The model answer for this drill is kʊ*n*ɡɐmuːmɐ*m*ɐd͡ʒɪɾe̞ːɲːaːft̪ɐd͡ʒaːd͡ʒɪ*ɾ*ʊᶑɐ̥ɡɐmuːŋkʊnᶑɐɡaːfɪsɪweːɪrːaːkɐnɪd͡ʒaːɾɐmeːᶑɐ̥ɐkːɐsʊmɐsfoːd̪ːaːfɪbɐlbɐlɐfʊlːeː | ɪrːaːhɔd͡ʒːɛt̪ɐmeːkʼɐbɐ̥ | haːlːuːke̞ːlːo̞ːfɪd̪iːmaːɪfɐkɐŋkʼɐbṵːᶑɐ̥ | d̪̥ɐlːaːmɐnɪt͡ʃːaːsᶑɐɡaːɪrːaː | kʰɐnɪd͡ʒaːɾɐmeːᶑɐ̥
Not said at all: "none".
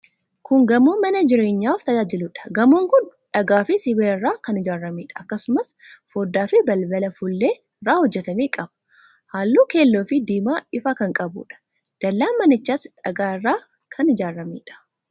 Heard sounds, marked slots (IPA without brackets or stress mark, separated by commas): ŋ, n, l